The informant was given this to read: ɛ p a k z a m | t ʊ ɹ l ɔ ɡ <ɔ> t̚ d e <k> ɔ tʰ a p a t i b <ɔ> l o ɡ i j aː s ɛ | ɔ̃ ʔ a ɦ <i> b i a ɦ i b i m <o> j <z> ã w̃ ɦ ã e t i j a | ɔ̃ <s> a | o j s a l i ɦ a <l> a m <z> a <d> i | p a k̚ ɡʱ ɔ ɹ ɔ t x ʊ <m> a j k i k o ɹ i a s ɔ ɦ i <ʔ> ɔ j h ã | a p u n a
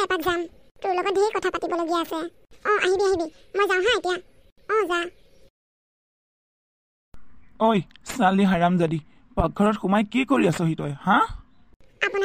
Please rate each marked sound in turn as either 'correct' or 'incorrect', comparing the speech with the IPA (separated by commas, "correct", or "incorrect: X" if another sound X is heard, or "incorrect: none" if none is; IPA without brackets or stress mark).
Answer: correct, correct, correct, correct, correct, correct, incorrect: z, incorrect: ɹ, correct, correct, correct, incorrect: t